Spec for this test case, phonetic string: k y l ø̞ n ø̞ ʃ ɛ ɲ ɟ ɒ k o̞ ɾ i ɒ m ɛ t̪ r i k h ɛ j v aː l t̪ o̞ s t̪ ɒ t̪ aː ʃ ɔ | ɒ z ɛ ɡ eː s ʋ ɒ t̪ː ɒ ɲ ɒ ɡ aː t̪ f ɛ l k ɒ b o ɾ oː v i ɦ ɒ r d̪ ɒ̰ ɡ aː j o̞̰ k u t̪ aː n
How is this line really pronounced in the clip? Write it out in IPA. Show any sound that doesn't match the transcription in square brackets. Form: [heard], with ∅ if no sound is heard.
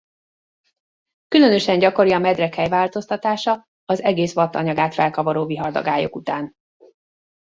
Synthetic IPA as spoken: k y l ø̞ n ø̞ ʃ ɛ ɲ ɟ ɒ k o̞ ɾ i ɒ m ɛ [d̪] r [ɛ] k h ɛ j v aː l t̪ o̞ s t̪ ɒ t̪ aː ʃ [ɒ] | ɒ z ɛ ɡ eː s ʋ ɒ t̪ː ɒ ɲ ɒ ɡ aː t̪ f ɛ l k ɒ [v] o ɾ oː v i ɦ ɒ r d̪ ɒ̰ ɡ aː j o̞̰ k u t̪ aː n